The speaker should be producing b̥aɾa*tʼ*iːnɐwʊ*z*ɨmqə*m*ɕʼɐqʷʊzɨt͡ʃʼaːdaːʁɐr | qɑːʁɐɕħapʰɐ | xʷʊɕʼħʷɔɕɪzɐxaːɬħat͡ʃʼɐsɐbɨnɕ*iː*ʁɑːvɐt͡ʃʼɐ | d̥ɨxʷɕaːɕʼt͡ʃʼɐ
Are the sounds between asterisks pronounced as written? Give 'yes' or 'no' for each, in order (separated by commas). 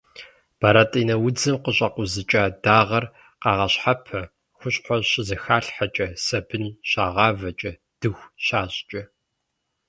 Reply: yes, no, no, no